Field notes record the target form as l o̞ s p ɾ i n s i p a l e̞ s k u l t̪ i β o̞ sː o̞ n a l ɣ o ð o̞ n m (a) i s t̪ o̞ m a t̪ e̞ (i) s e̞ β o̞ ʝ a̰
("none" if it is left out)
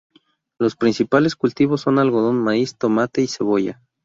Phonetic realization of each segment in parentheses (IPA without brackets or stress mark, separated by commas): a, i